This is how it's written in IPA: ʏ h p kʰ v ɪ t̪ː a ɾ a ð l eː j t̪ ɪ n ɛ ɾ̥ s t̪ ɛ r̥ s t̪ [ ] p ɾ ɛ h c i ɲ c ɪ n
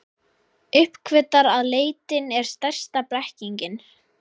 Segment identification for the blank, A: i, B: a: B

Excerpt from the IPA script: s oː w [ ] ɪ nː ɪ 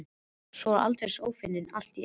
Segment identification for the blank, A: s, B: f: B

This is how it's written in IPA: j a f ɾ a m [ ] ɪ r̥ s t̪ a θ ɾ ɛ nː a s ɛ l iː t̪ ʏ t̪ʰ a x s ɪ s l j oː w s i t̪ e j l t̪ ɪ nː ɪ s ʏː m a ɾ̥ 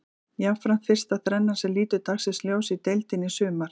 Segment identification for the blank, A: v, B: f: B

